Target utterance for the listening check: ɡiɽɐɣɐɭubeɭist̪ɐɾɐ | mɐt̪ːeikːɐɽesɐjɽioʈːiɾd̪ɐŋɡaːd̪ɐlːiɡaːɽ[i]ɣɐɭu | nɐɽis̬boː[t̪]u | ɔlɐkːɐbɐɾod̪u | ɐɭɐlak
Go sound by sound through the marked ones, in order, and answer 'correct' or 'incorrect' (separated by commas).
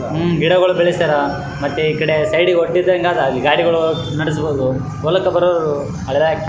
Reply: correct, incorrect